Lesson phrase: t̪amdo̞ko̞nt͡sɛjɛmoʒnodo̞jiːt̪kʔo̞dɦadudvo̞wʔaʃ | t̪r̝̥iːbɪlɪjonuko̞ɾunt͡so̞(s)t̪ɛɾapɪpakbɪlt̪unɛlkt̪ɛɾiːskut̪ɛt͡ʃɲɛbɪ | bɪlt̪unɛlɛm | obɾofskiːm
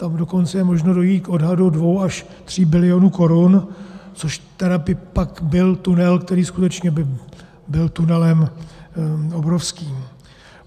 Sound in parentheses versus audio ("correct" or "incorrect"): incorrect